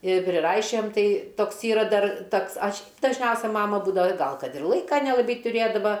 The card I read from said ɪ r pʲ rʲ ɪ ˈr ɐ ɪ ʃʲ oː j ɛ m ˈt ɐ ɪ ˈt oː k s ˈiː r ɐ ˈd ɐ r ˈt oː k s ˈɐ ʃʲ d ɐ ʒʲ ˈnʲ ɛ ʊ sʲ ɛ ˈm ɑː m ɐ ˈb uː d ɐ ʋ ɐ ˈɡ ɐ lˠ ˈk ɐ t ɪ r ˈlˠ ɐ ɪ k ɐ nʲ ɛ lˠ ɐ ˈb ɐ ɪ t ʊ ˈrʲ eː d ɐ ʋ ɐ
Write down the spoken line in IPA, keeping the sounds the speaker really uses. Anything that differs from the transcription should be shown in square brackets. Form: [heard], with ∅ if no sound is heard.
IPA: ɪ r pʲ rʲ ɪ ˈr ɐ ɪ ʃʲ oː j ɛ m ˈt ɐ ɪ ˈt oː k s ˈiː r ɐ ˈd ɐ r ˈt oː k s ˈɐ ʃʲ d ɐ ʒʲ ˈnʲ ɛ ʊ sʲ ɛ ˈm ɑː m ɐ ˈb uː d ɐ ʋ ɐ ˈɡ ɐ lˠ ˈk ɐ t ɪ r ˈlˠ ɐ ɪ k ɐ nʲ ɛ lˠ ɐ ˈb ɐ ɪ t ʊ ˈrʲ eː d ɐ ʋ ɐ